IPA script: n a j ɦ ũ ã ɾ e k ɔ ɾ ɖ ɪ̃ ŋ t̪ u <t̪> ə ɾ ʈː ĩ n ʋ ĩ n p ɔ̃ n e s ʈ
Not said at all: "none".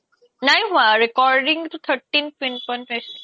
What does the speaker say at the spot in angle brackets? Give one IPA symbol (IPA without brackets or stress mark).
t̪ʰ